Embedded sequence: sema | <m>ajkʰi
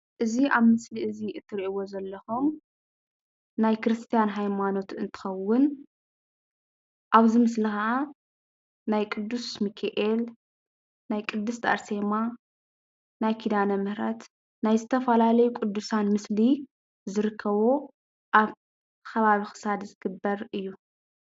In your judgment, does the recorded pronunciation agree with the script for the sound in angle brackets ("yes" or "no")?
no